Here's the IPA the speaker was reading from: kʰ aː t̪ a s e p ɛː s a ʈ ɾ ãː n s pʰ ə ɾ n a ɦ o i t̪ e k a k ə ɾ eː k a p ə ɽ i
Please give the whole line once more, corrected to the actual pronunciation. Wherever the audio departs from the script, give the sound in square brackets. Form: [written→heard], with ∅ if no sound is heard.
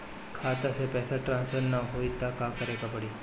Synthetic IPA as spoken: kʰ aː t̪ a s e p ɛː s a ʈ ɾ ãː n s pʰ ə ɾ n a ɦ o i t̪ [e→a] k a k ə ɾ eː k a p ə ɽ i